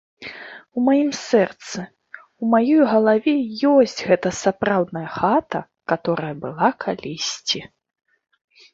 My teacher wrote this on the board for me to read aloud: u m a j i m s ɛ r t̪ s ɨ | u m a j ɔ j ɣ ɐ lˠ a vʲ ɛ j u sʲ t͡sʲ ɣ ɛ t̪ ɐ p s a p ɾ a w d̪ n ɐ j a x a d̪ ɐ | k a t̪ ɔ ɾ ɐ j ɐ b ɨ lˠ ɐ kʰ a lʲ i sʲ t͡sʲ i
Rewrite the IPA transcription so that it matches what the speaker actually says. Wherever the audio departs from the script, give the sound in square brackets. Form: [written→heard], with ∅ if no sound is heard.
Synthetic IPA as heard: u m a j i m s ɛ r t̪ s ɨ | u m a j ɔ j ɣ ɐ lˠ a vʲ ɛ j [u→ɔ] sʲ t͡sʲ ɣ ɛ t̪ ɐ [p→∅] s a p ɾ a w d̪ n ɐ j [a→ɐ] x a [d̪→t̪] ɐ | k a t̪ ɔ ɾ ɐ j ɐ b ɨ lˠ [ɐ→a] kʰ a lʲ i sʲ t͡sʲ i